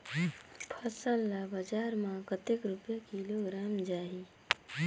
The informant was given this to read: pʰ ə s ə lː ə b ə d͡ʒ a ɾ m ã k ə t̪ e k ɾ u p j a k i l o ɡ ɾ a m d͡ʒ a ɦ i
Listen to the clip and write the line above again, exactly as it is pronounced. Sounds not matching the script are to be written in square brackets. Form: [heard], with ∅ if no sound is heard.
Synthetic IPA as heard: pʰ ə s ə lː [a] b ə d͡ʒ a ɾ m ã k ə t̪ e k ɾ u p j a k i l o ɡ ɾ a m d͡ʒ a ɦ i

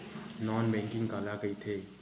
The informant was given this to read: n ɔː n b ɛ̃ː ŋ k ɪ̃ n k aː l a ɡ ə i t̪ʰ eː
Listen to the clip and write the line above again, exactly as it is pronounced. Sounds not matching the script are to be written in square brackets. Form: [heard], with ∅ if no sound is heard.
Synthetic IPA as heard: n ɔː n b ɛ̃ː ŋ k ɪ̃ [ŋ] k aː l a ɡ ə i t̪ʰ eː

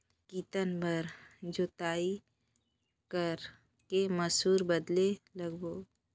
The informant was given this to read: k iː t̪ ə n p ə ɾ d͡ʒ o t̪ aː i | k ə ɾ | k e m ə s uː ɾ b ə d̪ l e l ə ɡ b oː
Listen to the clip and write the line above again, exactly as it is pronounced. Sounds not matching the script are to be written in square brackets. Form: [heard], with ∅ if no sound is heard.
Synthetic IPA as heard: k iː t̪ ə n [b] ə ɾ d͡ʒ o t̪ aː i | k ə ɾ | k e m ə s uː ɾ b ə d̪ l e l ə ɡ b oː

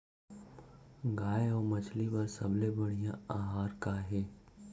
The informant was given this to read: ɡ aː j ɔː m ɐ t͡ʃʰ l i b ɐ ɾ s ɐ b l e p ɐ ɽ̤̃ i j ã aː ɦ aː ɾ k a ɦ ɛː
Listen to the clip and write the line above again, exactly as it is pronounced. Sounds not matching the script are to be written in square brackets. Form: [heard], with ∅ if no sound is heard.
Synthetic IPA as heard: ɡ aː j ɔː m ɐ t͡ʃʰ l i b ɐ ɾ s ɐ b l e [b] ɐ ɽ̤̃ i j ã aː ɦ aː ɾ k a ɦ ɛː

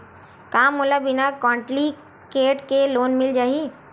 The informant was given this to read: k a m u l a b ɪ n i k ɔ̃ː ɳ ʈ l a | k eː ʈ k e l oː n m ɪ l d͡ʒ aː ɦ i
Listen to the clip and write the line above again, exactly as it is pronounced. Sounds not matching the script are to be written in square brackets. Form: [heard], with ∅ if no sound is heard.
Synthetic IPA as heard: k a m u l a b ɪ n [a] k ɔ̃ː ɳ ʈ l [i] | k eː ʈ k e l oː n m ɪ l d͡ʒ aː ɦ i

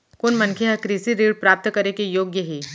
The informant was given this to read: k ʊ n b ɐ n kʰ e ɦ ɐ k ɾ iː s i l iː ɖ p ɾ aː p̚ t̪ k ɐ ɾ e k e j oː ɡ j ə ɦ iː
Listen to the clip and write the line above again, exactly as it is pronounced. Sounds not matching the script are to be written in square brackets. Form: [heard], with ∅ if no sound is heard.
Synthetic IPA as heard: k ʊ n [m] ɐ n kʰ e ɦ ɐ k ɾ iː s i [ɾ] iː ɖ p ɾ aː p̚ t̪ k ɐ ɾ e k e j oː ɡ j ə ɦ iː

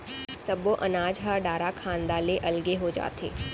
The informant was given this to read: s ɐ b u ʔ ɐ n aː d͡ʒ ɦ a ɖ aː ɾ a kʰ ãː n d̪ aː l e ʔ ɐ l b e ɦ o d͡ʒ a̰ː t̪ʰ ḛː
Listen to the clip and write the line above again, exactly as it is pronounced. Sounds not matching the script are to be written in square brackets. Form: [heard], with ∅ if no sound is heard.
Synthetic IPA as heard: s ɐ b [o] ʔ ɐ n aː d͡ʒ ɦ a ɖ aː ɾ a kʰ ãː n d̪ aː l e ʔ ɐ l [ɡ] e ɦ o d͡ʒ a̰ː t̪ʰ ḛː

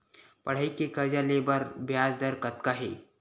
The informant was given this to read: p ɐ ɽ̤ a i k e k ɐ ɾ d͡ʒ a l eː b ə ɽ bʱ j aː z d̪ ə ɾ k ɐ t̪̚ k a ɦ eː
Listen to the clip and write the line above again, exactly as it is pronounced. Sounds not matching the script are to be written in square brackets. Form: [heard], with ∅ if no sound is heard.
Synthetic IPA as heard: p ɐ ɽ̤ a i k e k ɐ ɾ d͡ʒ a l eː b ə [ɾ] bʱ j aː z d̪ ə ɾ k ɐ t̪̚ k a ɦ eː

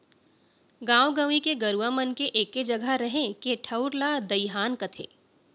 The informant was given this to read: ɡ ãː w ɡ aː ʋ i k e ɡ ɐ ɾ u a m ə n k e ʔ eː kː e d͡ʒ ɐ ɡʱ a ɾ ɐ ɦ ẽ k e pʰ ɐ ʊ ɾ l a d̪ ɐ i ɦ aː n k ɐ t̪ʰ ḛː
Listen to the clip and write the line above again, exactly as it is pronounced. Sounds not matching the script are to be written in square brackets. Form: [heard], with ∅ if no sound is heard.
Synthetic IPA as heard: ɡ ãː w ɡ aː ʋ i k e ɡ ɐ ɾ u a m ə n k e ʔ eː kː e d͡ʒ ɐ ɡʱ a ɾ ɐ ɦ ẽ k e [ʈʰ] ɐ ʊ ɾ l a d̪ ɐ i ɦ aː n k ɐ t̪ʰ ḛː

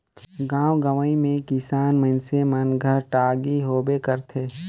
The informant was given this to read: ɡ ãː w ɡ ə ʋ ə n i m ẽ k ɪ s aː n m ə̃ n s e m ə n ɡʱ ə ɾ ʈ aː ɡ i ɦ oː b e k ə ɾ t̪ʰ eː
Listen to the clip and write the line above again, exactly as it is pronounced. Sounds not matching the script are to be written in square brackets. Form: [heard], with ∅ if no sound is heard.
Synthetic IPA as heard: ɡ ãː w ɡ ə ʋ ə [∅] i m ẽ k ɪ s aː n m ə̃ n s e m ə n ɡʱ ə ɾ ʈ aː ɡ i ɦ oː b e k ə ɾ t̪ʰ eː

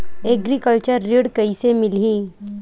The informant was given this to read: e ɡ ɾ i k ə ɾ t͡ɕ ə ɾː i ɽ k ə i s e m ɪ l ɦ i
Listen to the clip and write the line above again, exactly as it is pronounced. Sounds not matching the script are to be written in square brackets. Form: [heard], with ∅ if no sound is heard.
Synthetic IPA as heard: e ɡ ɾ i k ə [l] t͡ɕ ə ɾː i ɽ k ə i s e m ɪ l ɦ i

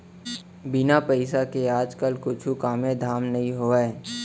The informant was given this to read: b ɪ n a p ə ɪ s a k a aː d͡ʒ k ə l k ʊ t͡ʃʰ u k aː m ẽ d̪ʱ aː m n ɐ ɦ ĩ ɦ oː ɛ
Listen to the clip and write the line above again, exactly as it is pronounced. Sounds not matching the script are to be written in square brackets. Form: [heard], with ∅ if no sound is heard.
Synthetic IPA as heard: b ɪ n a p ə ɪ s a k [e] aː d͡ʒ k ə l k ʊ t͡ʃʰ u k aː m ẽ d̪ʱ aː m n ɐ ɦ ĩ ɦ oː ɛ

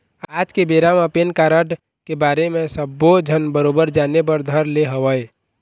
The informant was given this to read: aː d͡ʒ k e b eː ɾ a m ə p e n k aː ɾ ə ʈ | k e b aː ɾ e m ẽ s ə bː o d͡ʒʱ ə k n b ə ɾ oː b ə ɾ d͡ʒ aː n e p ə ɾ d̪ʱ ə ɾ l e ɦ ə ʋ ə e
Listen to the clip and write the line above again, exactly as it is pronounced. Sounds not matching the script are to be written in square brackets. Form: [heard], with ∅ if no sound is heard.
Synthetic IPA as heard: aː d͡ʒ k e b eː ɾ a m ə p e n k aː ɾ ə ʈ | k e b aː ɾ e m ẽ s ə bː o d͡ʒʱ ə [∅] n b ə ɾ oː b ə ɾ d͡ʒ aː n e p ə ɾ d̪ʱ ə ɾ l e ɦ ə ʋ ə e

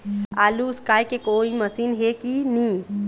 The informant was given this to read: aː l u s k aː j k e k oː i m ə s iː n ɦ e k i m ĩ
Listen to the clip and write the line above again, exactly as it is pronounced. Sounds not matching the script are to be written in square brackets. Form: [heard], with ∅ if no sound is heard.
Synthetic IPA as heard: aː l u s k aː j k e k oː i m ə s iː n ɦ e k i [n] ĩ

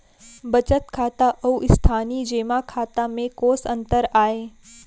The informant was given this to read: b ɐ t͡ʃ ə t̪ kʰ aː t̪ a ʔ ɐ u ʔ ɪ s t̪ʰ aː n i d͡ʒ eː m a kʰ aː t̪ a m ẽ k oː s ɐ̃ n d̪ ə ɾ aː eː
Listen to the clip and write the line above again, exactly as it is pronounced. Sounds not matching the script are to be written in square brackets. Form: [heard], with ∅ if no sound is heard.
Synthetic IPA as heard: b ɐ t͡ʃ ə t̪ kʰ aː t̪ a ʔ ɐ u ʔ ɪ s t̪ʰ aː n i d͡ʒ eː m a kʰ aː t̪ a m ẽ k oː s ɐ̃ n [t̪] ə ɾ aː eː

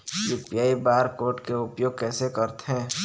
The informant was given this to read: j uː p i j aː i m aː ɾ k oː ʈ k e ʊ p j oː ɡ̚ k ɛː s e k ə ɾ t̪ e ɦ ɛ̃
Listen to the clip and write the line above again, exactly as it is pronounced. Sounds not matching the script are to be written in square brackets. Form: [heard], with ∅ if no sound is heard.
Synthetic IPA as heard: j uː p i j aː i [b] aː ɾ k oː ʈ k e ʊ p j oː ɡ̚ k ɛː s e k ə ɾ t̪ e ɦ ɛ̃

